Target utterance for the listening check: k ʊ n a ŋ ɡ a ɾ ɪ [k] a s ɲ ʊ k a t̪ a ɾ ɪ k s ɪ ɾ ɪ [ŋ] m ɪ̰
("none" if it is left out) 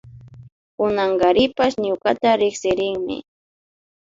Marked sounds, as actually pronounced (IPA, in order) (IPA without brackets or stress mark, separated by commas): p, ŋ